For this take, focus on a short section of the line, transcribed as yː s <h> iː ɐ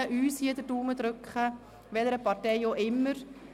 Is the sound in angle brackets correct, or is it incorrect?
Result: correct